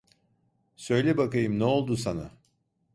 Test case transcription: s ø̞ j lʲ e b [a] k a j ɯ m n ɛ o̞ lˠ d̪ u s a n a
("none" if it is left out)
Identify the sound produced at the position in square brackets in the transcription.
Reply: a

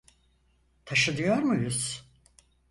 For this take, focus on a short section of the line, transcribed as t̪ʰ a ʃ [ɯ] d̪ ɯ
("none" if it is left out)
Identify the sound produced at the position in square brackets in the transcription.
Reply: ɯ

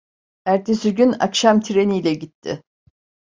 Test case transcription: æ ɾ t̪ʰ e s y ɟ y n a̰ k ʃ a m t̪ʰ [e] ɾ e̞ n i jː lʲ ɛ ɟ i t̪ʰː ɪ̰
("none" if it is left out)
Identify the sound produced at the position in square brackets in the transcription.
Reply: i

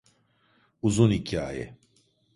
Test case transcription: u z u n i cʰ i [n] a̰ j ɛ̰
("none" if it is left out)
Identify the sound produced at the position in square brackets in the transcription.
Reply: none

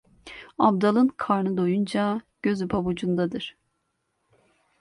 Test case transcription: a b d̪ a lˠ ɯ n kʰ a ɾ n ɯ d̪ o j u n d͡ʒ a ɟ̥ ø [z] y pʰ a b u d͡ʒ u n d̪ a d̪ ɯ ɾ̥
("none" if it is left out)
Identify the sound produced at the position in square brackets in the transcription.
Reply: z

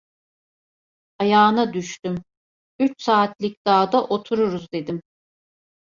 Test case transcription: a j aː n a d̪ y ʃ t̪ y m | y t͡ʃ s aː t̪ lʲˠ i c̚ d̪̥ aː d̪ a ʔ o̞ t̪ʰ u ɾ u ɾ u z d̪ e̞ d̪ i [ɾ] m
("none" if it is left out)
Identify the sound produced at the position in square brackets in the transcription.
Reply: none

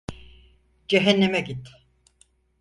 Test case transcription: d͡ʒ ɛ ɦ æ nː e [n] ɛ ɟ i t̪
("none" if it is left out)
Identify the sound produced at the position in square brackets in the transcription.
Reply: m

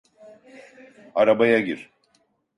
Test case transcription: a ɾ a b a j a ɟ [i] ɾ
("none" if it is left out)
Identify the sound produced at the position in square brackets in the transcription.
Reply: i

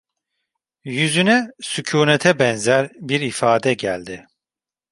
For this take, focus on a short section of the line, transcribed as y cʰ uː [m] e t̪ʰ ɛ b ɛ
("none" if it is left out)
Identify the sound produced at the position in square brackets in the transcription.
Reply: n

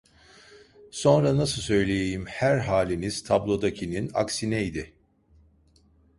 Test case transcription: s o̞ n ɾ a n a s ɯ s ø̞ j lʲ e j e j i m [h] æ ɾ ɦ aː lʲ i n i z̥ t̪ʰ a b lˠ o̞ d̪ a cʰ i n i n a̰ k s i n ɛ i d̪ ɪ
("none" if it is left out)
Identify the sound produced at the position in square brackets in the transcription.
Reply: h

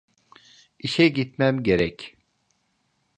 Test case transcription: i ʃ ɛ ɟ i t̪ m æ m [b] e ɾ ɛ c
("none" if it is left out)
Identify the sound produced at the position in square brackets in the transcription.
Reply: ɟ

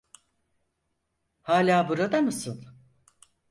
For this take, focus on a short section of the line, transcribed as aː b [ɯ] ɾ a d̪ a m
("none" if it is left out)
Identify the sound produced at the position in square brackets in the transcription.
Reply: u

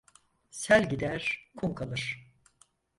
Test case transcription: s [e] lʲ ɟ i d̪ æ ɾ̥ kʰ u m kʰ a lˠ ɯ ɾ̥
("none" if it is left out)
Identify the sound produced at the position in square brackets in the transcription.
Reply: æ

